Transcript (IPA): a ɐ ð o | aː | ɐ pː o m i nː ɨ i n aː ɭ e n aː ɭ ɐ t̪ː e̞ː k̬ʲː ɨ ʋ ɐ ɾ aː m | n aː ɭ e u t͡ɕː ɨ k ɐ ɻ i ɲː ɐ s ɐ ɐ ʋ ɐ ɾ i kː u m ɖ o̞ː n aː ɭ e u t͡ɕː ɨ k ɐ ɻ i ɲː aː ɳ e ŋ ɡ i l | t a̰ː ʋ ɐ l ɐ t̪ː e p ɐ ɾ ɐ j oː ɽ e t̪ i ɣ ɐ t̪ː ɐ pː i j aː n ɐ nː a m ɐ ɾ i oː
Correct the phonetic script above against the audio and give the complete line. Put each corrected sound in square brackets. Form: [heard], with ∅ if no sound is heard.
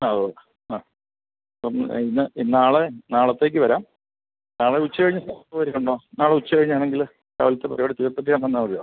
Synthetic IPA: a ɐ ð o | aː | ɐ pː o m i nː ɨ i n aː ɭ e n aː ɭ ɐ t̪ː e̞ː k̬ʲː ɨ ʋ ɐ ɾ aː m | n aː ɭ e u t͡ɕː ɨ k ɐ ɻ i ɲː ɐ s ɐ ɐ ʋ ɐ ɾ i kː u [ɳ] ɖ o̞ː n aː ɭ e u t͡ɕː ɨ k ɐ ɻ i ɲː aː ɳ e ŋ ɡ i l | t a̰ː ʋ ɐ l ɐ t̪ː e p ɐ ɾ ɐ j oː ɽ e t̪ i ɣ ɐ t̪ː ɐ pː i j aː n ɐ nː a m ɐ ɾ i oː